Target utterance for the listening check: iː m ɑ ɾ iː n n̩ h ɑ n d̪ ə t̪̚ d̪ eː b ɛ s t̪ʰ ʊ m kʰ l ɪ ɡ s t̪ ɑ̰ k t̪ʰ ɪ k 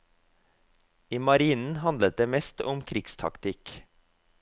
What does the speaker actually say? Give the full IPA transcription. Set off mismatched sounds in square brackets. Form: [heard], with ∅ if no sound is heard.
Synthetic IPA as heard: iː m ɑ ɾ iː n n̩ h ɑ n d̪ ə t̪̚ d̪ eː [m] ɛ s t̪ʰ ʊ m kʰ [ɾ] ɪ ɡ s [t̪ʰ] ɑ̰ k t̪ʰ ɪ k